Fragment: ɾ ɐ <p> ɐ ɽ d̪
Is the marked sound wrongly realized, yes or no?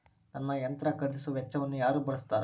yes